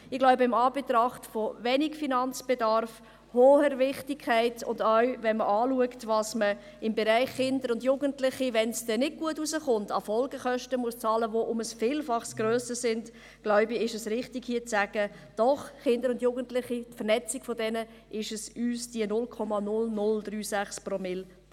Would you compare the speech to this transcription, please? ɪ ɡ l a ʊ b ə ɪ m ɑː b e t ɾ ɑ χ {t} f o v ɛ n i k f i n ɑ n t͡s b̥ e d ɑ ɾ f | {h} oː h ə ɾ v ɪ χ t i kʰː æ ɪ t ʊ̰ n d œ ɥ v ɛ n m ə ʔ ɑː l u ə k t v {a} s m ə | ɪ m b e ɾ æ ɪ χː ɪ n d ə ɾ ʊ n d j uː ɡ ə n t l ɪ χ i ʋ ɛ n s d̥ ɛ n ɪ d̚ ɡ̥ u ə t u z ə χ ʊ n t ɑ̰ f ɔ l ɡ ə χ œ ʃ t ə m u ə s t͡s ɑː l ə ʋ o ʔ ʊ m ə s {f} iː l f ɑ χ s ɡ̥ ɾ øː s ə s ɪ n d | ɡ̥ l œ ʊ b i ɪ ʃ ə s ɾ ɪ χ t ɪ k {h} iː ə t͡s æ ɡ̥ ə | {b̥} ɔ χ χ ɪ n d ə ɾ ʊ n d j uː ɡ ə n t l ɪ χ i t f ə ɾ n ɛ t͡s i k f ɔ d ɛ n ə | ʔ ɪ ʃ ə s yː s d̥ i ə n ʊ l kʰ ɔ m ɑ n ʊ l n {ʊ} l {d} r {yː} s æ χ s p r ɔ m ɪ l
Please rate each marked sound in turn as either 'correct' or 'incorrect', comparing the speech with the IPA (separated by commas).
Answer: correct, correct, incorrect, correct, correct, incorrect, correct, correct, correct